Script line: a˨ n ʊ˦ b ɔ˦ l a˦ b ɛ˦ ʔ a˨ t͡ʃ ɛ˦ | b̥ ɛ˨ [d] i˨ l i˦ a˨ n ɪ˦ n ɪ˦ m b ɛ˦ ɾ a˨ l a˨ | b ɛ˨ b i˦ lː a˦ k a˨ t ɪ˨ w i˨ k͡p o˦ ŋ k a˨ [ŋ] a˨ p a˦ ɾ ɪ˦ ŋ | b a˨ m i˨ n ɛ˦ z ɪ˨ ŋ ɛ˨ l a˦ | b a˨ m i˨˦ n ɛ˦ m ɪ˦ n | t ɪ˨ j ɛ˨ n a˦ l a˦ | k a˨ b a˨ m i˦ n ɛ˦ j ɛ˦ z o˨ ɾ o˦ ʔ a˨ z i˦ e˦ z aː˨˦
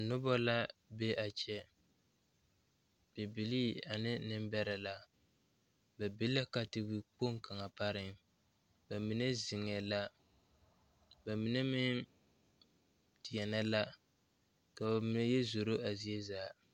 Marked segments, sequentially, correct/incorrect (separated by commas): incorrect, correct